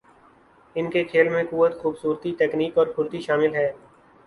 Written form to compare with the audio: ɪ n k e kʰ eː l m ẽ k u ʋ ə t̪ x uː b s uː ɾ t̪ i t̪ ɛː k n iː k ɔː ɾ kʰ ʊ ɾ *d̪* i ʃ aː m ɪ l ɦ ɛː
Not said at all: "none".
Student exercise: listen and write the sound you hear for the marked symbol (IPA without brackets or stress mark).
t̪